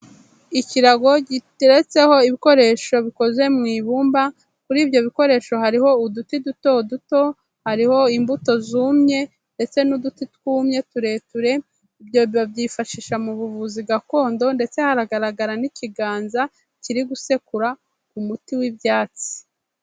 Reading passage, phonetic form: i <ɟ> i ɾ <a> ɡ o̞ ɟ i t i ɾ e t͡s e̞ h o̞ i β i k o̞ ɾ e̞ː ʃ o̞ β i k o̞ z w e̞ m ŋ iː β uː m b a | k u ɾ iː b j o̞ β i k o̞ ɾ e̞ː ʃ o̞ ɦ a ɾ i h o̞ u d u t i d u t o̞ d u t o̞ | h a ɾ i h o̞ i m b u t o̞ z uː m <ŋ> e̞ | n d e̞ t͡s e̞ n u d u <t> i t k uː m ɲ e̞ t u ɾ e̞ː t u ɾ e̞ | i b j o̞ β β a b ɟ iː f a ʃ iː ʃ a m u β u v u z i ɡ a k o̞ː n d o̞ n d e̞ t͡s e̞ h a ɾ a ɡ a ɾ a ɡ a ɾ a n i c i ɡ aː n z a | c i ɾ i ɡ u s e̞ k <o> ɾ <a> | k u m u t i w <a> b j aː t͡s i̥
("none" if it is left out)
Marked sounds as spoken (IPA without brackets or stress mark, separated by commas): c, a, ɲ, t, u, a, i